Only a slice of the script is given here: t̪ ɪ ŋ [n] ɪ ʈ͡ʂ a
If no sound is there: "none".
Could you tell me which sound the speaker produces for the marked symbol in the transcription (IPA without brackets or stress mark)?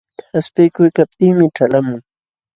m